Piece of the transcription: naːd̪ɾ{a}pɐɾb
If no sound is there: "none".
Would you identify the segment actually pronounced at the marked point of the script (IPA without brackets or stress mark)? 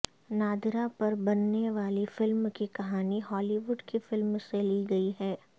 a